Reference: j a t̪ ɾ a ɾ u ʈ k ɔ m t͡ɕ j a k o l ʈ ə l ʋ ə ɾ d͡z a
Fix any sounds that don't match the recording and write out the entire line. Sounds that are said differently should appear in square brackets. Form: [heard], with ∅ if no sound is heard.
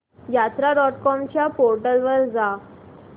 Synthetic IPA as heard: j a t̪ ɾ a ɾ [ɔ] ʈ k ɔ m t͡ɕ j a [p] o [ɾ] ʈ ə l ʋ ə ɾ d͡z a